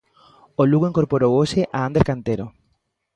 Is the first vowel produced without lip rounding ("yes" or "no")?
no